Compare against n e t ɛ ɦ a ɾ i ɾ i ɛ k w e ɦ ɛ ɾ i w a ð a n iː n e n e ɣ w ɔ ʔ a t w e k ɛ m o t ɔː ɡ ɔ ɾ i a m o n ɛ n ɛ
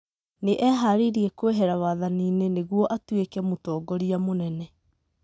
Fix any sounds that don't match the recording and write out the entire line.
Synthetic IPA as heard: n e ʔ ɛ ɦ a ɾ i ɾ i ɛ k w e ɦ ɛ ɾ a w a ð a n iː n e n e ɣ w ɔ ʔ a t w e k ɛ m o t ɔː ɡ ɔ ɾ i a m o n ɛ n ɛ